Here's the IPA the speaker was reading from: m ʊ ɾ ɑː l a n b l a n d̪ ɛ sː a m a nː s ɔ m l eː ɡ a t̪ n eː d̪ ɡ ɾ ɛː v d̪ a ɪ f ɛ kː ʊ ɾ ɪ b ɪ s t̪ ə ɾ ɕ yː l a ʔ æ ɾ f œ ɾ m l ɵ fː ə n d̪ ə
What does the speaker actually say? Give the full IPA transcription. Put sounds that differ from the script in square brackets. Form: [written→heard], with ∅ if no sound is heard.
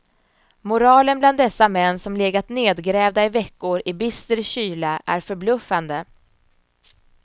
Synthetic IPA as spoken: m ʊ ɾ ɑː l [a→ə] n b l a n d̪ ɛ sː a m [a→ɛ] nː s ɔ m l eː ɡ a t̪ n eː d̪ ɡ ɾ ɛː v d̪ a ɪ [f→v] ɛ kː ʊ ɾ ɪ b ɪ s t̪ ə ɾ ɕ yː l a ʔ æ ɾ f œ ɾ [m→b] l ɵ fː [ə→a] n d̪ ə